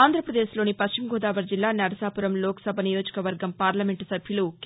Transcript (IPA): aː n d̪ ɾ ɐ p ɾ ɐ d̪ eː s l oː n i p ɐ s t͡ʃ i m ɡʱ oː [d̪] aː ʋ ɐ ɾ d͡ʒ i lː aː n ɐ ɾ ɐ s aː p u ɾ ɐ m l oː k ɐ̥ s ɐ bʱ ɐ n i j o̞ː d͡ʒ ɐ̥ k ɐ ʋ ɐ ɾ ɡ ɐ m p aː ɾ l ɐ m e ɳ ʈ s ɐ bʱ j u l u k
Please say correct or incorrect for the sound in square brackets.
correct